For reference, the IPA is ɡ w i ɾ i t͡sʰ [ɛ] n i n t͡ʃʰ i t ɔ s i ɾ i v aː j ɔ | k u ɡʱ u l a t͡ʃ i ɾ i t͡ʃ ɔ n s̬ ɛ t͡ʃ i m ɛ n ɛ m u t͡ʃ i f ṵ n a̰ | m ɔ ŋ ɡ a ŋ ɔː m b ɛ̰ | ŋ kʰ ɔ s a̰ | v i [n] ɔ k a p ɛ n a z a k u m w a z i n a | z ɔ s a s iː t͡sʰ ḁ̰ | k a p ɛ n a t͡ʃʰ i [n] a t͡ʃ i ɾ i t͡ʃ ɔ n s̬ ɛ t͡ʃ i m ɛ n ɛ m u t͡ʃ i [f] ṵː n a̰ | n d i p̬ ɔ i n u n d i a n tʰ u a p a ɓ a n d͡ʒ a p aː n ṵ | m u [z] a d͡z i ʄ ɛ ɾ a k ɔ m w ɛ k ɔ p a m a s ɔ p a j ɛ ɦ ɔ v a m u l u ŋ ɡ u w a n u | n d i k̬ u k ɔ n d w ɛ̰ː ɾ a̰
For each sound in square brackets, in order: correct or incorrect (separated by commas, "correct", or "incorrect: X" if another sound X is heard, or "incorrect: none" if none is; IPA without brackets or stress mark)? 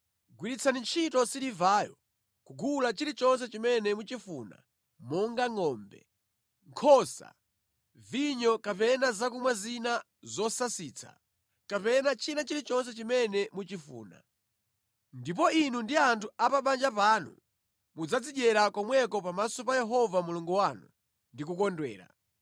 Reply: incorrect: a, incorrect: ɲ, correct, correct, incorrect: d͡z